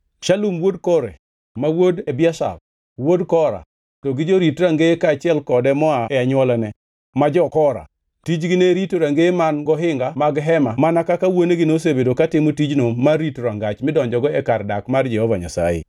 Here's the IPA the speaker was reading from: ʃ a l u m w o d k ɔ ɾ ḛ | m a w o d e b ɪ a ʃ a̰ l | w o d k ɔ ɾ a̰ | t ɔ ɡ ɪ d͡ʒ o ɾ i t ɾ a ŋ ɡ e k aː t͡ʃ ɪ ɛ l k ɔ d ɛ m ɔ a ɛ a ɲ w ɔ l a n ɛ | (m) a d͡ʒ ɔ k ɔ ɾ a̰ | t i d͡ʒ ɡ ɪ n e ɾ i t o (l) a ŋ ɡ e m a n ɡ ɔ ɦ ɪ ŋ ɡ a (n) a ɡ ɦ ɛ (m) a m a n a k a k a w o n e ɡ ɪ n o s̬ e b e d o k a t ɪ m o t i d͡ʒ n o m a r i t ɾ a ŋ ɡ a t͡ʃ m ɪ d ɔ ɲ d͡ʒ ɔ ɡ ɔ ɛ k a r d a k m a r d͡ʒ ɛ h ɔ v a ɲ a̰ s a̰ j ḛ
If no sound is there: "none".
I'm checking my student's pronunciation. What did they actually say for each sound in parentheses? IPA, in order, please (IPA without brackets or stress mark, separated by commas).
m, ɾ, m, m